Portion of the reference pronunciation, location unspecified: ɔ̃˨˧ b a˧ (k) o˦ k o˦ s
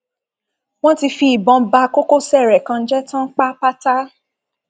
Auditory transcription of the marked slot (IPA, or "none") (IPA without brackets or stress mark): k